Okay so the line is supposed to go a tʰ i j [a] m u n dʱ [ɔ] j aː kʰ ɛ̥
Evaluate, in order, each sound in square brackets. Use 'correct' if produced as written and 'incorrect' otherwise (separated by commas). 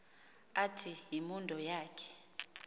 incorrect, correct